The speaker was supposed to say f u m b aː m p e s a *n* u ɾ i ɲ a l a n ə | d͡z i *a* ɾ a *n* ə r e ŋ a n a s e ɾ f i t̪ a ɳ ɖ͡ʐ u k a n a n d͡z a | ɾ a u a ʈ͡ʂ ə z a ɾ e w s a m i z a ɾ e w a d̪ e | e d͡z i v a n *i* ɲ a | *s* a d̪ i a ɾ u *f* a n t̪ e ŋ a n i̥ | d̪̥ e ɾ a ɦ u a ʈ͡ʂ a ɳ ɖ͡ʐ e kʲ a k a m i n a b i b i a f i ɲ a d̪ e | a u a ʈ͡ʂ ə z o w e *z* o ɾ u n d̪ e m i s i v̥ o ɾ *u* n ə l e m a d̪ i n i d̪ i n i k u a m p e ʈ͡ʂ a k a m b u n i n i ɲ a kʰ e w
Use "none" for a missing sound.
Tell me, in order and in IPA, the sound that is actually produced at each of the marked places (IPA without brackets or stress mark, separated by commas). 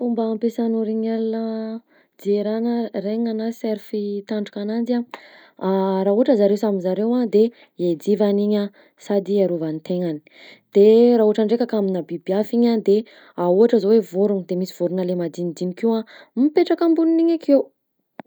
n, e, n, i, s, v, v, u